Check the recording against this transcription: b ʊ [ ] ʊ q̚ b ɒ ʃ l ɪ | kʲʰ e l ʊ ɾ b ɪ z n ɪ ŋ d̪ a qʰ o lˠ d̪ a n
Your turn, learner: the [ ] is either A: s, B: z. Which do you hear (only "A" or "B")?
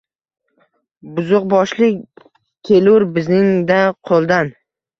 B